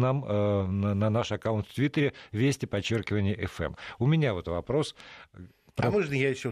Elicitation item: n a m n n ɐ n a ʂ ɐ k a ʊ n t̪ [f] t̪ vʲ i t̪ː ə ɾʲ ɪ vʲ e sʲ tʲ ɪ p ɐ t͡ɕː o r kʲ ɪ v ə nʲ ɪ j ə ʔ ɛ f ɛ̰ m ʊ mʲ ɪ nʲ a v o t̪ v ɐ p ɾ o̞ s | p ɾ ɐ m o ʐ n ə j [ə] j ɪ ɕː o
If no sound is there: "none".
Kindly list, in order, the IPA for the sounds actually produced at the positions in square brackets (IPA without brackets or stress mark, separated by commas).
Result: f, a